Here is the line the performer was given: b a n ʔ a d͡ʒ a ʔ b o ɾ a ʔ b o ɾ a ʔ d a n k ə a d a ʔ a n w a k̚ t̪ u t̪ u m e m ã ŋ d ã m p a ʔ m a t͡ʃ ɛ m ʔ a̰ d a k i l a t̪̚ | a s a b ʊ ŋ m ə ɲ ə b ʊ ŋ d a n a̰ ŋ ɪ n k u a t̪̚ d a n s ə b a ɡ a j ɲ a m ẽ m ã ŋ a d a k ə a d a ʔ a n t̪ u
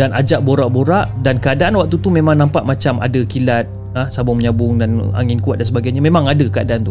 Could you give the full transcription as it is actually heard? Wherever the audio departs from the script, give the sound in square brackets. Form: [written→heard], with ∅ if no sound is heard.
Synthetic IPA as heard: [b→d] a n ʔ a d͡ʒ a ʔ b o ɾ a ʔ b o ɾ a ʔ d a n k ə a d a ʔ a n w a k̚ t̪ u t̪ u m e m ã ŋ [d→n] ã m p a ʔ m a t͡ʃ [ɛ→a] m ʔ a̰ d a k i l a t̪̚ | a s a b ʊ ŋ m ə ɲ [ə→a] b ʊ ŋ d a n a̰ ŋ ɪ n k u a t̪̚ d a n s ə b a ɡ a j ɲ a m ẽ m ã ŋ a d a k ə a d a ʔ a n t̪ u